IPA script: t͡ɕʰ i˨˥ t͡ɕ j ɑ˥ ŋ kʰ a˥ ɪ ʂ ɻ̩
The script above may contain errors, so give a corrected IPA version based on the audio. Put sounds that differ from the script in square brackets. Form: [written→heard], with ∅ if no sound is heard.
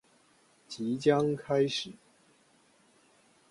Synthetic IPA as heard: [t͡ɕʰ→t͡ɕ] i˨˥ t͡ɕ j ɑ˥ ŋ kʰ a˥ ɪ ʂ ɻ̩